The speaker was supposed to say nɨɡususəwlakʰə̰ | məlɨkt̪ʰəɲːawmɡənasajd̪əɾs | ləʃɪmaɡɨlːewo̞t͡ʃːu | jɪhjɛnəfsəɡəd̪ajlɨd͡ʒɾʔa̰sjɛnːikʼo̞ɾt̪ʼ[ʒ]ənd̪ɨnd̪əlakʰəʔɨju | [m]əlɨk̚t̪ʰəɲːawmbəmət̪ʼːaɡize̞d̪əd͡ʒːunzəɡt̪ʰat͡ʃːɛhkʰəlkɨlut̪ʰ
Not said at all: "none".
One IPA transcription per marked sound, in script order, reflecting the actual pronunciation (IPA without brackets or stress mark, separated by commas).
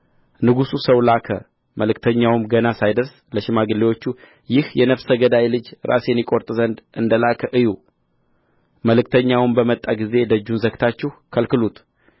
z, m